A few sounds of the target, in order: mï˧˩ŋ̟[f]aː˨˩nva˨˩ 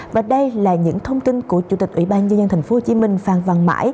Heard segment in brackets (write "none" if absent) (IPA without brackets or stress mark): f